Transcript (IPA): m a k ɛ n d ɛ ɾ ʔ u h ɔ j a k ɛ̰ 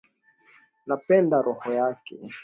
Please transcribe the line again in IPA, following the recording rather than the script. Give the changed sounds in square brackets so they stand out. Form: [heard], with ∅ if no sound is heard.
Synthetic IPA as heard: [n] a [p] ɛ n d [a] ɾ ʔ [ɔ] h ɔ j a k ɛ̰